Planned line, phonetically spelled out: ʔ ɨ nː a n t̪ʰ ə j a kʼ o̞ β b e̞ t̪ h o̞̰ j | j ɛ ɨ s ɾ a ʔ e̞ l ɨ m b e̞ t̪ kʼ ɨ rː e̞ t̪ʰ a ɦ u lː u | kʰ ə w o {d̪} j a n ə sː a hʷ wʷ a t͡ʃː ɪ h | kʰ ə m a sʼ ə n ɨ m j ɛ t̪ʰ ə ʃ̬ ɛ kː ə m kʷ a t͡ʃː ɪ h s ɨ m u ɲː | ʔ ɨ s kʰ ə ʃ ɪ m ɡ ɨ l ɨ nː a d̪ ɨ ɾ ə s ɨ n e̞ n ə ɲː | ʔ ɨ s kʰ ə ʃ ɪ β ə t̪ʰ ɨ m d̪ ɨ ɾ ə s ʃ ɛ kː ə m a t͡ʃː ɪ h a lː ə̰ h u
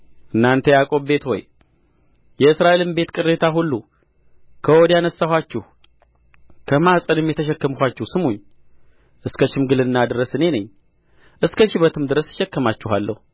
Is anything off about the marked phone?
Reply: no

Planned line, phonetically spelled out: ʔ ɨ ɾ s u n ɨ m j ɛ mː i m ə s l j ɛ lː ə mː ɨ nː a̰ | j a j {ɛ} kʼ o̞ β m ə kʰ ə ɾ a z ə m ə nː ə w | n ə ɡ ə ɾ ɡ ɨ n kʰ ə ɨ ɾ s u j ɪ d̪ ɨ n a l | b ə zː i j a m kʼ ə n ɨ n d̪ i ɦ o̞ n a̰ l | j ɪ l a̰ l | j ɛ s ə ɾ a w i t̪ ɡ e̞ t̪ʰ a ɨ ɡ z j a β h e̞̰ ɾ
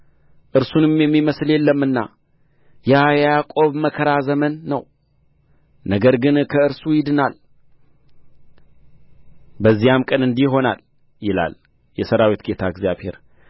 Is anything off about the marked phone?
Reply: yes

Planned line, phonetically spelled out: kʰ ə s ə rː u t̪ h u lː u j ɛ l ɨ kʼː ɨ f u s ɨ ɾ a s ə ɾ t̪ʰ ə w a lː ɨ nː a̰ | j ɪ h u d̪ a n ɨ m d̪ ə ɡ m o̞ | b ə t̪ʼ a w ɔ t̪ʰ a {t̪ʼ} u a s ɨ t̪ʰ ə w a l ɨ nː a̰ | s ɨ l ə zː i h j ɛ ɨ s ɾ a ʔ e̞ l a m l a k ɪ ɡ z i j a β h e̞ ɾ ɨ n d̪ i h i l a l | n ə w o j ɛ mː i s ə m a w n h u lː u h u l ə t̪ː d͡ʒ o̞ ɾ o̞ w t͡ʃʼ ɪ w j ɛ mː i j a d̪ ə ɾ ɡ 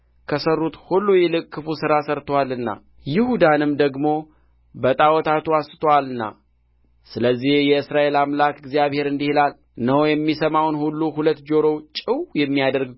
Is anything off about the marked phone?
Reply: yes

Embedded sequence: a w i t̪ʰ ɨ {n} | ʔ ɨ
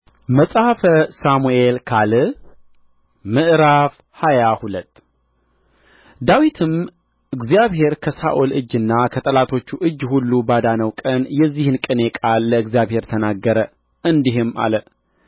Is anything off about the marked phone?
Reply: yes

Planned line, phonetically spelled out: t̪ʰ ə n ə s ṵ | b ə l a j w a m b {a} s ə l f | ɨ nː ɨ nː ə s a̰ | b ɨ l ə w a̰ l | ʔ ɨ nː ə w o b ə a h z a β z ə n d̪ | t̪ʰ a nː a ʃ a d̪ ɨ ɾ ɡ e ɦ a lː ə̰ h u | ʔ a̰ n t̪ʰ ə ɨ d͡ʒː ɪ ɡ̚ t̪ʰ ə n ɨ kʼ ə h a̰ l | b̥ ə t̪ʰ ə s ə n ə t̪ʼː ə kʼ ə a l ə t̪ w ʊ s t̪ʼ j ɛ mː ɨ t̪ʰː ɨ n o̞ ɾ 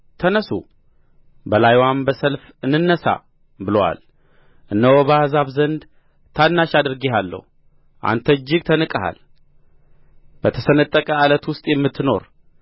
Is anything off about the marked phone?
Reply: yes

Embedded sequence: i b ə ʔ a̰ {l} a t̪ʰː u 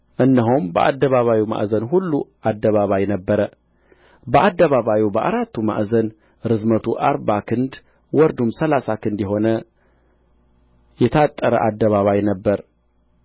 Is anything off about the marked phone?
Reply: yes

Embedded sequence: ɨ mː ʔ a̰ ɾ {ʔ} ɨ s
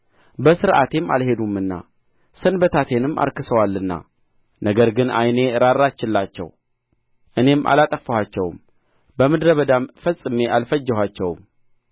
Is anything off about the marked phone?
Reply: yes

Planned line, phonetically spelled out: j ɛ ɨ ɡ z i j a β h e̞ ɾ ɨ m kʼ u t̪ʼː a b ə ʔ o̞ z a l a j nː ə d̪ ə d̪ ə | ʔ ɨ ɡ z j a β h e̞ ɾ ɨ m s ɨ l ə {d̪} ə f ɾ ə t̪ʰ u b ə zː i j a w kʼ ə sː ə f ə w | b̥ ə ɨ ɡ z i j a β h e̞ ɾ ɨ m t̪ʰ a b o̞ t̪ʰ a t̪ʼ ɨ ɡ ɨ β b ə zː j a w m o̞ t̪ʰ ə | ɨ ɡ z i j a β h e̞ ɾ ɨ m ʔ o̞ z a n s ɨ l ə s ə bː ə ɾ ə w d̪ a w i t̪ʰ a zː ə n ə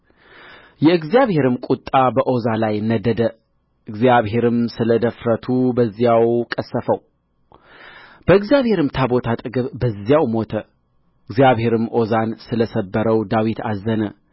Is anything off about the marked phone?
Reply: no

